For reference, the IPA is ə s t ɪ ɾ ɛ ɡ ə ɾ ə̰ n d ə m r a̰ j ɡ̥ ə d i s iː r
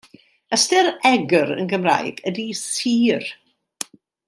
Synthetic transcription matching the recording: ə s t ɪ ɾ ɛ ɡ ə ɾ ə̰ n ɡ ə m r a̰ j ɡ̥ ə d i s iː r